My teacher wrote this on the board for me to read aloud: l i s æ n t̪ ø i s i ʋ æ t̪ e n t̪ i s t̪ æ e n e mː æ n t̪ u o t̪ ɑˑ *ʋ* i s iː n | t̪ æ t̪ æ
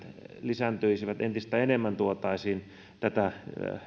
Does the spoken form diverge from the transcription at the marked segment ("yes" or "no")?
yes